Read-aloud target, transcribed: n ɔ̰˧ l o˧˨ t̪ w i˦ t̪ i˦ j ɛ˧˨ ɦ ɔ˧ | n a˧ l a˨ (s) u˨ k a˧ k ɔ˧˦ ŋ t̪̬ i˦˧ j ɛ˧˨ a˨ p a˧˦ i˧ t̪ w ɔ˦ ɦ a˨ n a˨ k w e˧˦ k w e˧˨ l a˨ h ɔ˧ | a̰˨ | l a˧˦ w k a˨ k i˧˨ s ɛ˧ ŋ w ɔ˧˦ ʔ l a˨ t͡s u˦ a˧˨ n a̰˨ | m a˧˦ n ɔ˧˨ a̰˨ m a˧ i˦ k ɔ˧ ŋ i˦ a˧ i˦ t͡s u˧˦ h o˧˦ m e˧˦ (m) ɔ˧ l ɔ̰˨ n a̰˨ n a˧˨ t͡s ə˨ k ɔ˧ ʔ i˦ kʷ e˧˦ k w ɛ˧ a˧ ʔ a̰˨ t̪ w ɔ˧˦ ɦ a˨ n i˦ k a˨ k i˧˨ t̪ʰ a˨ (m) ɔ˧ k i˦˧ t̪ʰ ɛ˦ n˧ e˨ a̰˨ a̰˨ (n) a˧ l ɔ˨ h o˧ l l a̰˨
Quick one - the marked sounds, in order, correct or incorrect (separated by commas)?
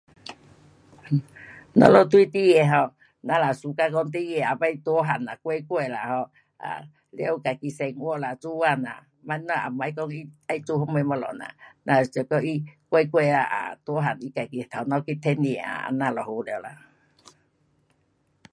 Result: correct, correct, incorrect, correct